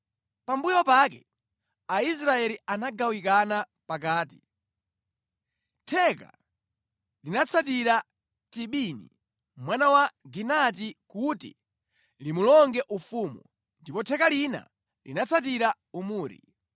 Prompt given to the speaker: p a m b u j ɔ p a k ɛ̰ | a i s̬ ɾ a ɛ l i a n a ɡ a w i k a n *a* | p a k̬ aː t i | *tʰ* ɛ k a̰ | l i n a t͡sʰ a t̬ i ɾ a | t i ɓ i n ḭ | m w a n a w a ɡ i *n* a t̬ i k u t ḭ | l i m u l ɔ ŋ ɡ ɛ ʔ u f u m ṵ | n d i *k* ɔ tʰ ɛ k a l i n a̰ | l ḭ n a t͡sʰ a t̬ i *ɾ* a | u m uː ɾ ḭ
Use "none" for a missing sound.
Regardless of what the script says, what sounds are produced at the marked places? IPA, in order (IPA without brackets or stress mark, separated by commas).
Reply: a, tʰ, n, p, ɾ